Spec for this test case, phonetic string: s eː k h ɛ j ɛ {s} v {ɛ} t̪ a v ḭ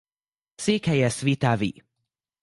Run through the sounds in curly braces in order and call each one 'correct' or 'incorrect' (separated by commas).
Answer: correct, incorrect